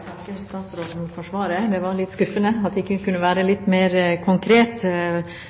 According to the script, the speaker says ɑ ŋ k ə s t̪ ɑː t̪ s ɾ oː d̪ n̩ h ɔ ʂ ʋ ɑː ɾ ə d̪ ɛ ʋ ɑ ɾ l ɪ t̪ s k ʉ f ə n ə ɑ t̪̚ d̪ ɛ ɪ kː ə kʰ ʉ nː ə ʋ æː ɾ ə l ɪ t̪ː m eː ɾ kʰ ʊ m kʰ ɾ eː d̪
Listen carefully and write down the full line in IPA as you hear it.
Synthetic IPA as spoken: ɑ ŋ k ə s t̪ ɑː t̪ s ɾ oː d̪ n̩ f ɔ ʂ ʋ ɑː ɾ ə d̪ ɛ ʋ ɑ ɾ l ɪ t̪ s k ʉ f ə n ə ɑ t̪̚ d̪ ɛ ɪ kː ə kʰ ʉ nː ə ʋ æː ɾ ə l ɪ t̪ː m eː ɾ kʰ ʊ ŋ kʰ ɾ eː t̪